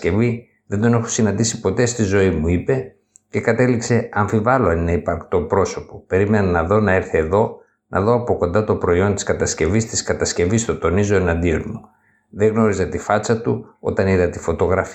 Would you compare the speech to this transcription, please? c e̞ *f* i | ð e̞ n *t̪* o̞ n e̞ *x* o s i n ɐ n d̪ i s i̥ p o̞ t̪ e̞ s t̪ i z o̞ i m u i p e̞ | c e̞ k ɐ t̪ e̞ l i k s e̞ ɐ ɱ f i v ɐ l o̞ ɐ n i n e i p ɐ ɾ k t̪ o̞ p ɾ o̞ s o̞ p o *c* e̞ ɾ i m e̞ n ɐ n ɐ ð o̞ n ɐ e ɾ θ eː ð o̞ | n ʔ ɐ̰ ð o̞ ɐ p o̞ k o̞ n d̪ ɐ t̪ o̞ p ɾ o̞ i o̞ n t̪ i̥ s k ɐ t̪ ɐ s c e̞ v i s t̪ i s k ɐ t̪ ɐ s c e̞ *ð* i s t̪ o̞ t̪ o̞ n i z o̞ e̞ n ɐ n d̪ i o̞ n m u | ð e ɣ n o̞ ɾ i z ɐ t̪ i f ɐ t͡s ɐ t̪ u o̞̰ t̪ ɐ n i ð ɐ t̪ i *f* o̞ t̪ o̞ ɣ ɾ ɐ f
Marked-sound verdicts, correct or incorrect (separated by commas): incorrect, incorrect, correct, incorrect, incorrect, correct